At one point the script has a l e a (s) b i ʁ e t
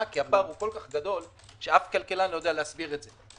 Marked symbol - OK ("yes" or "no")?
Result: yes